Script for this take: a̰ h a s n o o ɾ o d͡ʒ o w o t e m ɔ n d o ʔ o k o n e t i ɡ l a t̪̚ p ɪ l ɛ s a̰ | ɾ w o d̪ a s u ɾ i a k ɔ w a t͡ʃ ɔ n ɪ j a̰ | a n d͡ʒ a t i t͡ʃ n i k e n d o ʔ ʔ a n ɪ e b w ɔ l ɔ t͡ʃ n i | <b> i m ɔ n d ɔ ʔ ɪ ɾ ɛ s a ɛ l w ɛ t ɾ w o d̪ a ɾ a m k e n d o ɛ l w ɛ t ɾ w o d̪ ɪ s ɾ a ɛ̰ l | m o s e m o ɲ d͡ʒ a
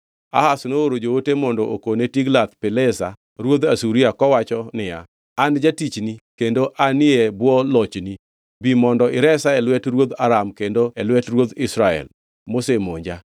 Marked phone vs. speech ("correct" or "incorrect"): correct